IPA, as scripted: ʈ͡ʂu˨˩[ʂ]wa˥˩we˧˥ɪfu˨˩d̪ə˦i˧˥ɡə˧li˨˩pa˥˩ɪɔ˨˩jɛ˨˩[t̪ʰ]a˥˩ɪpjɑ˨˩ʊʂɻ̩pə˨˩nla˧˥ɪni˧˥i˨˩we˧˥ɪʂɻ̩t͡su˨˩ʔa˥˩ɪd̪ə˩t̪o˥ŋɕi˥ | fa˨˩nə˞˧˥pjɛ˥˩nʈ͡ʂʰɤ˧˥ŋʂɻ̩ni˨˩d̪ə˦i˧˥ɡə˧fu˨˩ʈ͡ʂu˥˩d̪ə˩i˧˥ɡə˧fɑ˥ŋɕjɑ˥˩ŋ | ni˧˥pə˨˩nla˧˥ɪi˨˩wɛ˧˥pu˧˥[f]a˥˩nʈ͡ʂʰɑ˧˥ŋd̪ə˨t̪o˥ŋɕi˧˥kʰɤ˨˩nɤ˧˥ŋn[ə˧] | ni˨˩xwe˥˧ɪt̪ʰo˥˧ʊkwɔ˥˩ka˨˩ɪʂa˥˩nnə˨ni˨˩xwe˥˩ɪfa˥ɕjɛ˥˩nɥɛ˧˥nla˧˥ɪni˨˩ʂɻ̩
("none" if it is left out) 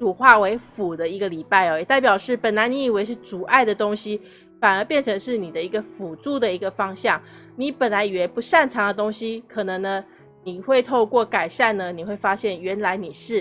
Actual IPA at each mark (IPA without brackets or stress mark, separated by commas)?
x, t̪, ʂ, ə˧